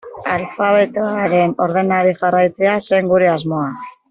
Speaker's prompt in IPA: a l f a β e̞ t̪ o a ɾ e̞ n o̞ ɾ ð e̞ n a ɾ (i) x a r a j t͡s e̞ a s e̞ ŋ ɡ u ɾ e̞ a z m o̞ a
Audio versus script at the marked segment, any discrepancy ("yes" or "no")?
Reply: no